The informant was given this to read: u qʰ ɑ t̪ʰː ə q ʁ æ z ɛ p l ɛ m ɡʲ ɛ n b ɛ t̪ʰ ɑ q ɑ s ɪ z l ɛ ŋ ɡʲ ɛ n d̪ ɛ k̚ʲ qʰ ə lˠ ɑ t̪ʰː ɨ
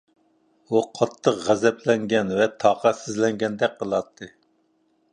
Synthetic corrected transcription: u qʰ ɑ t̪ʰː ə q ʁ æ z ɛ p l ɛ ŋ ɡʲ ɛ n v ɛ t̪ʰ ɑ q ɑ s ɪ z l ɛ ŋ ɡʲ ɛ n d̪ ɛ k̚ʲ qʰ ə lˠ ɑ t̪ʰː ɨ

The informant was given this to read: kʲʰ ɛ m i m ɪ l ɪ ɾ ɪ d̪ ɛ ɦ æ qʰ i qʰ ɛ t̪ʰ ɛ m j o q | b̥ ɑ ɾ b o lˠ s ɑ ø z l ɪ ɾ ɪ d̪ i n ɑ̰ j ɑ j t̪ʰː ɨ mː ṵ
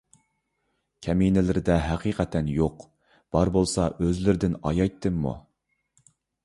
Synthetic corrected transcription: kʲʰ ɛ m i n ɪ l ɪ ɾ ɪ d̪ ɛ ɦ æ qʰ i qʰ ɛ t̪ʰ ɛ n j o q | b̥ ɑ ɾ b o lˠ s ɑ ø z l ɪ ɾ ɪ d̪ ɪ n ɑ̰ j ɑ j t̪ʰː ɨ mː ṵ

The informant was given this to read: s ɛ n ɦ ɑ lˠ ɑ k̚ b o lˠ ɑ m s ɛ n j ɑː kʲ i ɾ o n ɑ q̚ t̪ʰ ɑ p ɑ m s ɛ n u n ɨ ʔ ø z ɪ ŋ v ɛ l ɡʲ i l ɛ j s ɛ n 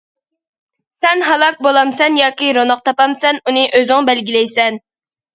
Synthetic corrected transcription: s ɛ n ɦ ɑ lˠ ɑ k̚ b o lˠ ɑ m s ɛ n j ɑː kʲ i ɾ o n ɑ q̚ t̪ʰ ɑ p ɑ m s ɛ n u n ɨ ʔ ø z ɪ ŋ b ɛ l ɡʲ i l ɛ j s ɛ n

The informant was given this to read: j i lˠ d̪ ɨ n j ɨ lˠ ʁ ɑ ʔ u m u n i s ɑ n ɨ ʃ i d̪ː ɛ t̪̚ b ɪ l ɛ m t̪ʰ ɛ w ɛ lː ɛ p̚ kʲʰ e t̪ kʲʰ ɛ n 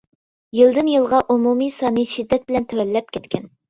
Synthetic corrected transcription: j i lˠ d̪ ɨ n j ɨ lˠ ʁ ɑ ʔ u m u m i s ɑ n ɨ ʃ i d̪ː ɛ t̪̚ b ɪ l ɛ n t̪ʰ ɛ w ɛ lː ɛ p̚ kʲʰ ɛ t̪ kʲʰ ɛ n

